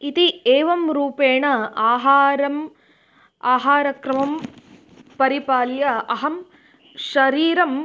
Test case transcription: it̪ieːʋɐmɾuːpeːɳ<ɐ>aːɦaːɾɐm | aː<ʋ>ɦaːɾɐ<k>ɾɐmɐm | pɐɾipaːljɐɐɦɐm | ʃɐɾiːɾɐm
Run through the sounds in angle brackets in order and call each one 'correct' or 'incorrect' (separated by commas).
correct, incorrect, correct